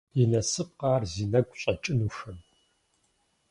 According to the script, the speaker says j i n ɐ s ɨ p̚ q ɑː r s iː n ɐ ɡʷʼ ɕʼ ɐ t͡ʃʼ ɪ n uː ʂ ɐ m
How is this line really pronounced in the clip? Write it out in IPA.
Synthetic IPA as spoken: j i n ɐ s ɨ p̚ q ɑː r z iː n ɐ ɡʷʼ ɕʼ ɐ t͡ʃʼ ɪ n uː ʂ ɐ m